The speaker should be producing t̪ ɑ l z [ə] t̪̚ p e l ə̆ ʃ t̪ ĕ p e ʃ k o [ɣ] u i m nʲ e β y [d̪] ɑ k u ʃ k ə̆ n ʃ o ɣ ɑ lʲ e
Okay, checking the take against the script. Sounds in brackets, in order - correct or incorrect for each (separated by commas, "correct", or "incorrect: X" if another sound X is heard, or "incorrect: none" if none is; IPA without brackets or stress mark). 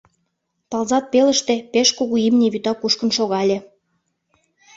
incorrect: ɑ, correct, incorrect: t̪